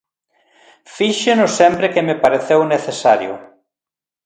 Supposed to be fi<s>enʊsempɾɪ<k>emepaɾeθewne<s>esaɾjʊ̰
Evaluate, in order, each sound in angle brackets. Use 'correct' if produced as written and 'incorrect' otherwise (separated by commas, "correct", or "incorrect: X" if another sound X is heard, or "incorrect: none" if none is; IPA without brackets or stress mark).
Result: incorrect: ʃ, correct, incorrect: θ